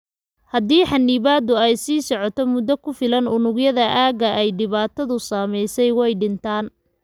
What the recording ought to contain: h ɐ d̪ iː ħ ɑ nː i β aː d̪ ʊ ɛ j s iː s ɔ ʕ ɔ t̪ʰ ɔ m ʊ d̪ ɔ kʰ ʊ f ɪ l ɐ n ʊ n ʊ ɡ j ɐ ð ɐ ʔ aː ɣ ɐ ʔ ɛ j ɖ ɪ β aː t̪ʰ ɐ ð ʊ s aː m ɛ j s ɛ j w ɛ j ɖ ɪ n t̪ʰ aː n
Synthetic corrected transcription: h ɐ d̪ iː ħ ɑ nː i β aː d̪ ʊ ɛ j s iː s ɔ ʕ ɔ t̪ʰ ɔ m ʊ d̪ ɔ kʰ ʊ f ɪ l ɐ n ʊ n ʊ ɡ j ɐ ð ɐ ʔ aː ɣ ɐ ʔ ɛ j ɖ ɪ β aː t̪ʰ ɐ ð ʊ s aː m ɛ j s ɛ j w ɛ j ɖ ɪ n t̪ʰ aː n